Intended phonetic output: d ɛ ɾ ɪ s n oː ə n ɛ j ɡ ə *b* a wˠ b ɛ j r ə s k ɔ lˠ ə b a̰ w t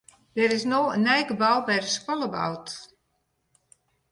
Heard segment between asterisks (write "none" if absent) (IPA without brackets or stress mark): b